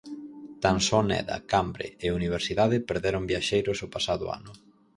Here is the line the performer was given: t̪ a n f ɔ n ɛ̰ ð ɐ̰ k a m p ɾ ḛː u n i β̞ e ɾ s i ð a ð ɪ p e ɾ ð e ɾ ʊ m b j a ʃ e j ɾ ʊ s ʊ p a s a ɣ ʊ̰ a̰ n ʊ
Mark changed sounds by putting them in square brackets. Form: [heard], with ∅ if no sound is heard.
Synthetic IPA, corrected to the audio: t̪ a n [s] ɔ n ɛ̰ ð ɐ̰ k a m [b] ɾ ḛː u n i β̞ e ɾ s i ð a ð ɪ p e ɾ ð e ɾ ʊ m b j a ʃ e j ɾ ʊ s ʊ p a s a [ð] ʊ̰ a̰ n ʊ